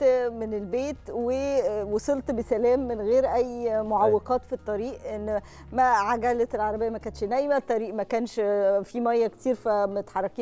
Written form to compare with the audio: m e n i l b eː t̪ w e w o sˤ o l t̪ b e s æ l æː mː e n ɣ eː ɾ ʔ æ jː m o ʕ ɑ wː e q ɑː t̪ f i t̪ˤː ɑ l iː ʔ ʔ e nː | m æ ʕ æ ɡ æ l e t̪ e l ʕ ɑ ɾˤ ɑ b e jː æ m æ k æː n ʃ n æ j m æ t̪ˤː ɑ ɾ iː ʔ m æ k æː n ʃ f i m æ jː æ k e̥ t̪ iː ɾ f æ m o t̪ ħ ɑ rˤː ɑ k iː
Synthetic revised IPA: m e n e l b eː t̪ w e w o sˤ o l t̪ b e s æ l æː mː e n ɣ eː ɾ ʔ æ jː m o ʕ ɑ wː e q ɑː t̪ f i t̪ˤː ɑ ɾ iː ʔ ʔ e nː | m æ ʕ a ɡ æ l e t̪ e l ʕ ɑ ɾˤ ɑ b e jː æ m æ k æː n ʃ n æ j m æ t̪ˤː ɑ ɾ iː ʔ m æ k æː n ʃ f i m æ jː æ k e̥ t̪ iː ɾ f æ m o t̪ ħ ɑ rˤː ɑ k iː